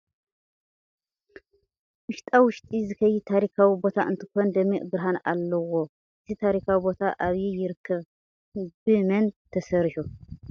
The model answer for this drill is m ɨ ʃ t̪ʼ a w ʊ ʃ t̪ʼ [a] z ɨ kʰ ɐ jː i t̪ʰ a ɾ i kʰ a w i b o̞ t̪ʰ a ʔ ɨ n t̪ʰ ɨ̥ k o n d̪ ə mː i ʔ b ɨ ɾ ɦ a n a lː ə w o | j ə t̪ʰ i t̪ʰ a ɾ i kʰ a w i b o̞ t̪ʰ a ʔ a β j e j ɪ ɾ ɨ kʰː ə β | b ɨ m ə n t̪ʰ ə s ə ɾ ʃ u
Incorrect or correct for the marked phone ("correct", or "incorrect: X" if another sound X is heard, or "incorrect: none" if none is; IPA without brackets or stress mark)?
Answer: incorrect: i